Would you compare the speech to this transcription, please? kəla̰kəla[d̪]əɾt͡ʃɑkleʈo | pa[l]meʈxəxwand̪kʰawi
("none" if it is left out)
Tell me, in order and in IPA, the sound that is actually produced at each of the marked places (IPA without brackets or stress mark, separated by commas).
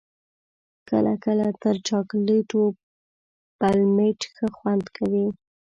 t̪, l